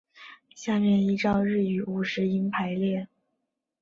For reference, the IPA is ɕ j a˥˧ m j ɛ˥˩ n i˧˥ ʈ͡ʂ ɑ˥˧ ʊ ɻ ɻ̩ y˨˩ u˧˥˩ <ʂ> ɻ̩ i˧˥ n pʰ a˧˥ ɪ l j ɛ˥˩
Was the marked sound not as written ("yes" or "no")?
no